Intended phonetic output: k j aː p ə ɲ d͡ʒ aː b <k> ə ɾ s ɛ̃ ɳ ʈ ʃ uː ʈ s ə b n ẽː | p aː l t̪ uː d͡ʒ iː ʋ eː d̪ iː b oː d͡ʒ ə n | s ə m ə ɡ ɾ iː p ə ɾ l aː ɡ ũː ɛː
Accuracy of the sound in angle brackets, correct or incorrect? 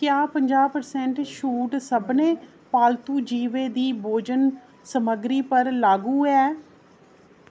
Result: incorrect